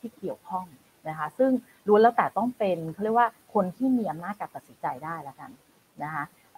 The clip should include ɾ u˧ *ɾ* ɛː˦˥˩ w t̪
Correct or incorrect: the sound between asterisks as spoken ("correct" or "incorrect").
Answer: incorrect